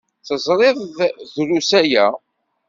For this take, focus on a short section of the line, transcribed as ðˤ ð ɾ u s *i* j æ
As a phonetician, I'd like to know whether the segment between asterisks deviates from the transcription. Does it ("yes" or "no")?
yes